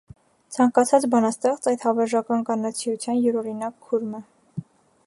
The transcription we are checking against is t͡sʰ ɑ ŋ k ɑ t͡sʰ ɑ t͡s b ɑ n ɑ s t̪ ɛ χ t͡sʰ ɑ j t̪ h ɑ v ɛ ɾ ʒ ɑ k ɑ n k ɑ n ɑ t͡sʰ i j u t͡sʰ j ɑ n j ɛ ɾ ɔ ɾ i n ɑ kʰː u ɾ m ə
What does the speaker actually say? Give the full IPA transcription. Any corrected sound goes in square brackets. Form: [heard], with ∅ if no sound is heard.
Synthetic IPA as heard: t͡sʰ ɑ ŋ k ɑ t͡sʰ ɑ t͡s b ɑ n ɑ s t̪ ɛ χ [t͡s] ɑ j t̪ h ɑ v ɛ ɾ ʒ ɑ k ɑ n k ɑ n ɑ t͡sʰ i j u t͡sʰ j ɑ n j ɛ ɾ ɔ ɾ i n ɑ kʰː u ɾ m ə